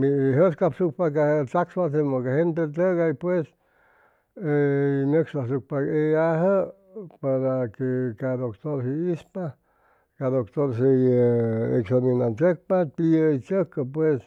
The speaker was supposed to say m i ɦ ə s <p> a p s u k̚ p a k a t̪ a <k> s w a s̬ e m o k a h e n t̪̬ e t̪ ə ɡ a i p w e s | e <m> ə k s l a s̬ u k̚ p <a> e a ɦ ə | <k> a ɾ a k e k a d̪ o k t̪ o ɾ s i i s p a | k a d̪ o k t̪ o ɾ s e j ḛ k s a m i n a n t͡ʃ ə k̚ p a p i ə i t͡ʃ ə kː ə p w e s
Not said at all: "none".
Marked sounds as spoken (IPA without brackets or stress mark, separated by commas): k, k, n, a, p